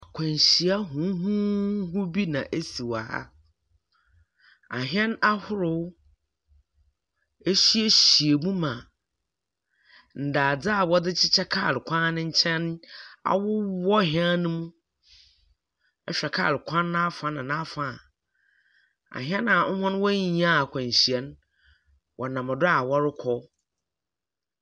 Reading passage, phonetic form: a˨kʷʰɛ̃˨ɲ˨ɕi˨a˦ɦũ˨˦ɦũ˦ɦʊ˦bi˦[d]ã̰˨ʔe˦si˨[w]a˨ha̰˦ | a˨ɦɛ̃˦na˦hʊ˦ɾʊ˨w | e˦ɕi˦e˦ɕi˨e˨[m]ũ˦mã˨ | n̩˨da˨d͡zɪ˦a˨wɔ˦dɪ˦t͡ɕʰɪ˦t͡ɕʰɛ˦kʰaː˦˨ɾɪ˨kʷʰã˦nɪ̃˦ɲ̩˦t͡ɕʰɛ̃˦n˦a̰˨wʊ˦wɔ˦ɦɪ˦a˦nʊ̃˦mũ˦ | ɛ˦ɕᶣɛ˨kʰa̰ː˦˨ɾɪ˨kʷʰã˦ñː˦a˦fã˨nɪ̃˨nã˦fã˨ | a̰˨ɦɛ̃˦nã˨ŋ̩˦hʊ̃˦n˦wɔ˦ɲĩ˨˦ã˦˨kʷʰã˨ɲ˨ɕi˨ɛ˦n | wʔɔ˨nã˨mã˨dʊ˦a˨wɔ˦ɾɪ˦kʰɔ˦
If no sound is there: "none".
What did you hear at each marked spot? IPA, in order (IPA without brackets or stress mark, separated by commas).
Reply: n, w, m